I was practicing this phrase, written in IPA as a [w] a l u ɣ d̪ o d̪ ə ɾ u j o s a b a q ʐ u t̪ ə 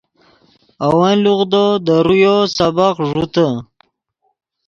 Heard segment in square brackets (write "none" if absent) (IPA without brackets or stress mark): w